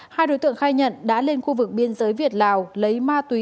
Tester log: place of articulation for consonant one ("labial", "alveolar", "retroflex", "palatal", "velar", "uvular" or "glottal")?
glottal